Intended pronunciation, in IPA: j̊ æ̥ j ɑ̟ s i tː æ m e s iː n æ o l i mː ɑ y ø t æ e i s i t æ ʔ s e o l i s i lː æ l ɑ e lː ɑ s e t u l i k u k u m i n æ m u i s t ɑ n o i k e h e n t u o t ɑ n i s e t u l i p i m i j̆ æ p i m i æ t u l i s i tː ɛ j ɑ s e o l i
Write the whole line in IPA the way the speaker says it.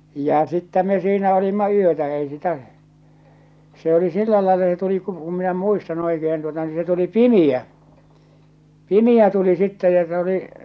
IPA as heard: j̊ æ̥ j ɑ̟ s i tː æ m e s iː n æ o l i mː ɑ y ø t æ e i s i t æ ʔ s e o l i s i lː æ l ɑ e lː ɑ s e t u l i k u k u m i n æ m u i s t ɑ n o i k e h e n t u o t ɑ n i s e t u l i p i m i j̆ æ p i m i æ t u l i s i tː ɛ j ɑ s e o l i

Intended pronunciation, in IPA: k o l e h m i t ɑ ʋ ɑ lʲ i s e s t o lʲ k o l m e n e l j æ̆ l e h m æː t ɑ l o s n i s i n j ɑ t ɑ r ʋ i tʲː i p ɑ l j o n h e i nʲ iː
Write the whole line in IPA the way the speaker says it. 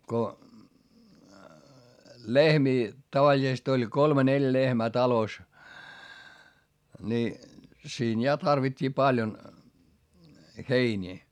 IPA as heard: k o l e h m iː t ɑ ʋ ɑ lʲ i s e s t o lʲ k o l m e n e l j æ̆ l e h m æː t ɑ l o s n i s iː n j ɑ t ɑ r ʋ i tʲː iː p ɑ l j o n h e i nʲ iː

